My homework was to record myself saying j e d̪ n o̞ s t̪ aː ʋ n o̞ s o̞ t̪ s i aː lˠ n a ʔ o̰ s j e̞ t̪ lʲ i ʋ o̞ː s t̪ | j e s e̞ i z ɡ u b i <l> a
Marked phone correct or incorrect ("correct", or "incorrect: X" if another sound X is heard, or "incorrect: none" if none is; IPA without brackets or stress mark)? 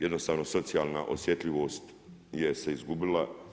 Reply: correct